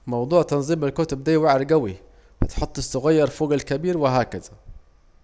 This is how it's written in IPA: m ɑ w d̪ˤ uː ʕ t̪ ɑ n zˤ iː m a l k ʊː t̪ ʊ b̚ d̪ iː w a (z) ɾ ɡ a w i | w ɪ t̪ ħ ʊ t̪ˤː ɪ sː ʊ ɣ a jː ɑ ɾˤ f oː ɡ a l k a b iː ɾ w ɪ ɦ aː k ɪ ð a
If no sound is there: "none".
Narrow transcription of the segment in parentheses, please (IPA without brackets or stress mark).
ʕ